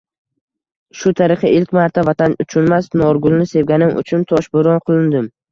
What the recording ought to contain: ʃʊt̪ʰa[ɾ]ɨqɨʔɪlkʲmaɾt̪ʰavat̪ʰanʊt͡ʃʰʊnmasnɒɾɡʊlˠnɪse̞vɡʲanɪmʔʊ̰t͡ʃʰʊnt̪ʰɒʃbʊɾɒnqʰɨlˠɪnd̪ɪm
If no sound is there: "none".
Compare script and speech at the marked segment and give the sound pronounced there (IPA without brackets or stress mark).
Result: ɾ